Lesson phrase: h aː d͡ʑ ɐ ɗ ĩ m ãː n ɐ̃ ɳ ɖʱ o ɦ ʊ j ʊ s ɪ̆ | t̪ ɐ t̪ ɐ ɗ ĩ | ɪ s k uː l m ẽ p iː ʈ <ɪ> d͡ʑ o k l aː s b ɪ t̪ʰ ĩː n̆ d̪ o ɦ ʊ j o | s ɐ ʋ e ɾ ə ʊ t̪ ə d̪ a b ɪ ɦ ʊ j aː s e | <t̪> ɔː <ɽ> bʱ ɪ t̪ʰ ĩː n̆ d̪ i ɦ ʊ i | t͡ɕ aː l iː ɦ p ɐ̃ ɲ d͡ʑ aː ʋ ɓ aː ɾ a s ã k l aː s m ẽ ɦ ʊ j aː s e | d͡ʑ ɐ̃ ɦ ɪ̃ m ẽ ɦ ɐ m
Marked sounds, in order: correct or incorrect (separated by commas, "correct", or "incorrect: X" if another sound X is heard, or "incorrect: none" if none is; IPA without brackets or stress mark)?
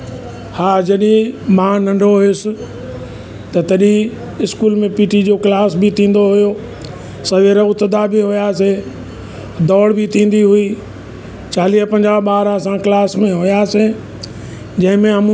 incorrect: i, incorrect: d̪, correct